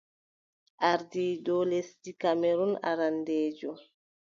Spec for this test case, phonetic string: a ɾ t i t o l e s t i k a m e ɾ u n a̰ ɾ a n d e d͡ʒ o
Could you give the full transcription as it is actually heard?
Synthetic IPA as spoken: a ɾ d i d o l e s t i k a m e ɾ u n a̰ ɾ a n d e d͡ʒ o